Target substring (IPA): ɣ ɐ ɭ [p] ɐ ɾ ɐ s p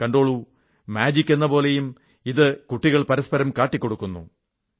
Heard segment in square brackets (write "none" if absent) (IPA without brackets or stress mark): p